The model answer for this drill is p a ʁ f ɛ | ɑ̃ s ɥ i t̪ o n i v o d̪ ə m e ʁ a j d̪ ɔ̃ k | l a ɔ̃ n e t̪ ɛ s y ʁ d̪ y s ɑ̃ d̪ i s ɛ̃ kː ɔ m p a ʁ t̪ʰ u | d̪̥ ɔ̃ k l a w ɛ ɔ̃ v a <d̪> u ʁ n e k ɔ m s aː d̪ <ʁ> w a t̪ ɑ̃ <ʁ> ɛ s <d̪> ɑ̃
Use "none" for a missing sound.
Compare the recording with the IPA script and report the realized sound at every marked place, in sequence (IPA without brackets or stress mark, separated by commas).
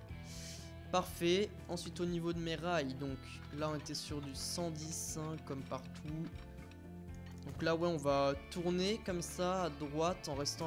t̪, ʁ, ʁ, t̪